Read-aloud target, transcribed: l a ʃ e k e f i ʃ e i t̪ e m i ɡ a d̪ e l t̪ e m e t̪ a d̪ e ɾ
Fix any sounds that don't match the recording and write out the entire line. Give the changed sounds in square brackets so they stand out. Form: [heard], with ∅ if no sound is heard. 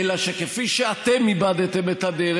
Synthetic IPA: l a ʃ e k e f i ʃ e [a] t̪ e m i [b] a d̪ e [∅] t̪ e m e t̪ a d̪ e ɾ